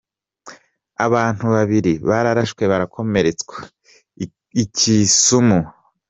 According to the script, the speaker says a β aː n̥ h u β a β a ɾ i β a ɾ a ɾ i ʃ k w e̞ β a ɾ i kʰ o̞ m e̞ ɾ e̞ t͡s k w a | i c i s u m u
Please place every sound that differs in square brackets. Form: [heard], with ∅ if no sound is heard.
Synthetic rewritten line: a β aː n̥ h u β a β [i] ɾ i β a ɾ a ɾ [a] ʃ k w e̞ β a ɾ [a] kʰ o̞ m e̞ ɾ e̞ t͡s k w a | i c i s u m u